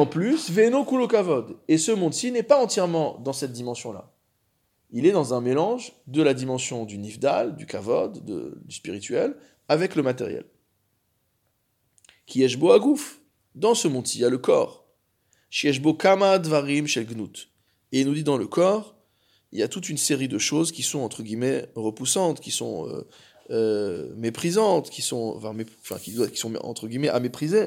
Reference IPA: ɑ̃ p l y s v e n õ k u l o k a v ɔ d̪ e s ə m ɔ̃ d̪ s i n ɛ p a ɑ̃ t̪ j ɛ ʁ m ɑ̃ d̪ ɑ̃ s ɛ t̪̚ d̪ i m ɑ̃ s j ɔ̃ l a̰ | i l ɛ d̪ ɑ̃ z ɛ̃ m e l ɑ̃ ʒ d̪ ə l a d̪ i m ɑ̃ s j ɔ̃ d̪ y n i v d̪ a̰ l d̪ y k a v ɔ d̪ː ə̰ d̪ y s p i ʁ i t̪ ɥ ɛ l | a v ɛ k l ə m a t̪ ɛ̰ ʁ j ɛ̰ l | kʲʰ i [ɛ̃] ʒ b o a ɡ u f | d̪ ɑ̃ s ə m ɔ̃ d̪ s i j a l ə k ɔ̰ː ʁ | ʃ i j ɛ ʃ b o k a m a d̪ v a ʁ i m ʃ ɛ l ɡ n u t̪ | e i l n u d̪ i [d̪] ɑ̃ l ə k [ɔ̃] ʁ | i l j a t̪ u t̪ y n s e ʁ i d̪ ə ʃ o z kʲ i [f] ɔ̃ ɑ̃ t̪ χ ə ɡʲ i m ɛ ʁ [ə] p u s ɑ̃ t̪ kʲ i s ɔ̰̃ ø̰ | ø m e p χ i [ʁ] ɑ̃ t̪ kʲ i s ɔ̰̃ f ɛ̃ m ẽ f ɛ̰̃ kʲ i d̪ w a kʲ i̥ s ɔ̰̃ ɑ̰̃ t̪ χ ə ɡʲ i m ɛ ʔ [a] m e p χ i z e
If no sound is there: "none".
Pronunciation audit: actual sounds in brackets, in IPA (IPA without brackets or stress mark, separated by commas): ɛ, d̪, ɔ, s, ə, z, a